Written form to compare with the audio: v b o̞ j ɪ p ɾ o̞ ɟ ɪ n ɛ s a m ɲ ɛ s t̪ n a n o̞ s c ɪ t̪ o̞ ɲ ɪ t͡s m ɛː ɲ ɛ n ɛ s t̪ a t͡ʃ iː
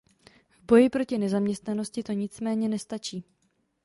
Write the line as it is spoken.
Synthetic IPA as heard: v b o̞ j ɪ p ɾ o̞ c ɪ n ɛ z a m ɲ ɛ s t̪ n a n o̞ s c ɪ t̪ o̞ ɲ ɪ t͡s m ɛː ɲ ɛ n ɛ s t̪ a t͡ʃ iː